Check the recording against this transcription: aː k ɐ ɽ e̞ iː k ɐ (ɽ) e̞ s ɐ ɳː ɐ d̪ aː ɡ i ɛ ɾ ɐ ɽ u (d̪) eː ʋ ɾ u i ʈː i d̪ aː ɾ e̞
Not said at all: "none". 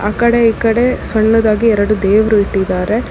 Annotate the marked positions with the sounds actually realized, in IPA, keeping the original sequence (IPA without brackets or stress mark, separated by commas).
ɽ, d̪